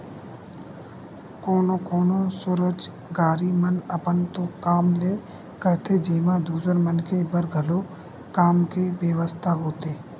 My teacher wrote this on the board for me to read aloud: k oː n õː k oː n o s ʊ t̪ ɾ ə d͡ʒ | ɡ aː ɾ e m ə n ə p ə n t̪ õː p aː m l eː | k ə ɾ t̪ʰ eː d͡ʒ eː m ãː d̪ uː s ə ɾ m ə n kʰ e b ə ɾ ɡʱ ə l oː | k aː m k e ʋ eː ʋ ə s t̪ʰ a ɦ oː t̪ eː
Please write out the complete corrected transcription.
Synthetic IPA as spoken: k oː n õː k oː n o s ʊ ɾ ə d͡ʒ | ɡ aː ɾ i m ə n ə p ə n t̪ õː k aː m l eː | k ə ɾ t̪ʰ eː d͡ʒ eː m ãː d̪ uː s ə ɾ m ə n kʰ e b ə ɾ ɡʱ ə l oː | k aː m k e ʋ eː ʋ ə s t̪ʰ a ɦ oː t̪ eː